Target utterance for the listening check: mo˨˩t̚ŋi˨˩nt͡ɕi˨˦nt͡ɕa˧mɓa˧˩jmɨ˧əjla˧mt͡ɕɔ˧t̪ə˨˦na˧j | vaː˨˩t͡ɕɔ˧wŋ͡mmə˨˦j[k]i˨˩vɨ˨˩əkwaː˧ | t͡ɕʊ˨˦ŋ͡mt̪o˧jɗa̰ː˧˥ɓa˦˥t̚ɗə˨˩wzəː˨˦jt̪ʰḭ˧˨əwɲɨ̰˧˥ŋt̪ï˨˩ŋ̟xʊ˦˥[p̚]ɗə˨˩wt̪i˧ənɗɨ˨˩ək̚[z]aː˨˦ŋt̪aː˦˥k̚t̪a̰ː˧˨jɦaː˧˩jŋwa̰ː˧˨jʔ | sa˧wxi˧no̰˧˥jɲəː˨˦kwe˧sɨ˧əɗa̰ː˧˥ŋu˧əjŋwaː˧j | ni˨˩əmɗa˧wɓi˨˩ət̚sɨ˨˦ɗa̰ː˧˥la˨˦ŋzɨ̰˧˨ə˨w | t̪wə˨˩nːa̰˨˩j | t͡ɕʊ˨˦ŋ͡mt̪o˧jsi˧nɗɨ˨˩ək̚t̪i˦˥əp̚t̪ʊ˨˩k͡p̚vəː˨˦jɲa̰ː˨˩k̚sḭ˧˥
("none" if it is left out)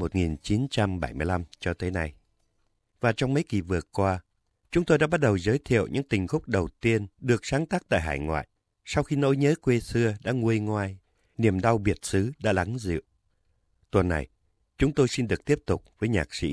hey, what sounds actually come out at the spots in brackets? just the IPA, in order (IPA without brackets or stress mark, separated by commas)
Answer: k, k͡p̚, s